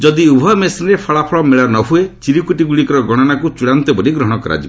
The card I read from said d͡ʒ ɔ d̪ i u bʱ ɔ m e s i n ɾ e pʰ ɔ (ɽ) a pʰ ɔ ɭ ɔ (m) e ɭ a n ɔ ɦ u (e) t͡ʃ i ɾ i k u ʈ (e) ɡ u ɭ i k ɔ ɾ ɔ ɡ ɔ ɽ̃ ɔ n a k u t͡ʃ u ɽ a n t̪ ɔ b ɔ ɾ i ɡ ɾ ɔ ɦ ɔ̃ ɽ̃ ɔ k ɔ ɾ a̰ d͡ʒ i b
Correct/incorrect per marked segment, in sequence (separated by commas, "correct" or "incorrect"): incorrect, correct, correct, incorrect